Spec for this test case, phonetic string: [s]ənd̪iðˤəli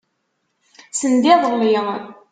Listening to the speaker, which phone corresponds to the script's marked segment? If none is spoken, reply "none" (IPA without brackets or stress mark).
s